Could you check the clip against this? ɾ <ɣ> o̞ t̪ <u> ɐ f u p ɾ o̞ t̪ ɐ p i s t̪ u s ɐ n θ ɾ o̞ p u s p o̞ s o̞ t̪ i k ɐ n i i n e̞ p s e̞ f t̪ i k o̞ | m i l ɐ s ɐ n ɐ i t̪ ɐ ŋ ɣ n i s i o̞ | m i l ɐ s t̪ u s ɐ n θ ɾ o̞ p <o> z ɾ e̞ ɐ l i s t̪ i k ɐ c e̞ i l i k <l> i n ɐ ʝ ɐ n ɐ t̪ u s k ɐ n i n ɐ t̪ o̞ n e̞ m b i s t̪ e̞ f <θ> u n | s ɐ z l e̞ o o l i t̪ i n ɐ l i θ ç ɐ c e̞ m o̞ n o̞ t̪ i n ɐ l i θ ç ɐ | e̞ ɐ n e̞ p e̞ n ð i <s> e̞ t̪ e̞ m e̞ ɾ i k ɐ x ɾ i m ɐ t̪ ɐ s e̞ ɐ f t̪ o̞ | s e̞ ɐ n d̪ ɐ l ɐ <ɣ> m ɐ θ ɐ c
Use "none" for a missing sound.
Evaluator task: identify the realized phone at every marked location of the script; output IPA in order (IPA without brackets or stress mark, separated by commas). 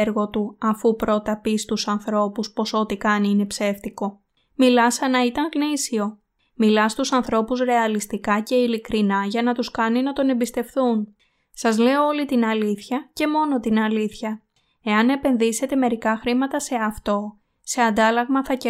ɣ, u, u, ɾ, θ, s, ɣ